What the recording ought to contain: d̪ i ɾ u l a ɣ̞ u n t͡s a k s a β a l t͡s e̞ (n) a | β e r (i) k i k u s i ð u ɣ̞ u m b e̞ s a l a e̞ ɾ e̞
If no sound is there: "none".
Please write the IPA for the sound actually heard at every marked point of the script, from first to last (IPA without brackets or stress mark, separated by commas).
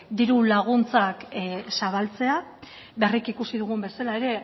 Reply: none, i